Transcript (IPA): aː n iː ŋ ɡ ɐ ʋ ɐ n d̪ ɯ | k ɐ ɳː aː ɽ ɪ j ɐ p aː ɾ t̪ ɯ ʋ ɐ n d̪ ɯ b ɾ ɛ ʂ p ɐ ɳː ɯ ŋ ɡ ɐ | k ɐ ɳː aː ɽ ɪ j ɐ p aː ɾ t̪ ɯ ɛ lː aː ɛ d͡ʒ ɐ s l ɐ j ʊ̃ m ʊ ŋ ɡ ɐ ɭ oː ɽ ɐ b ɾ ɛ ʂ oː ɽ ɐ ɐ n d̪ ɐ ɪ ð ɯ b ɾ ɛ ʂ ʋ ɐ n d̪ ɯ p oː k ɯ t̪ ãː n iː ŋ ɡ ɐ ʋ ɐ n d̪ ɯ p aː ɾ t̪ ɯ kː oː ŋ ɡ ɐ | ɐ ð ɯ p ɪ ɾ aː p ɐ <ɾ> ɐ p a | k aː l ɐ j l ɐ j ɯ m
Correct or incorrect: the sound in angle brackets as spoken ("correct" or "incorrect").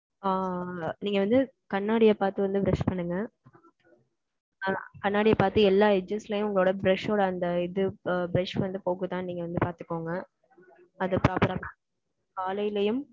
correct